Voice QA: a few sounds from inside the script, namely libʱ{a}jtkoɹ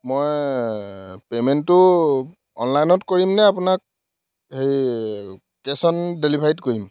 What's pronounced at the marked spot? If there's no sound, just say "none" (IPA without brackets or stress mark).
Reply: a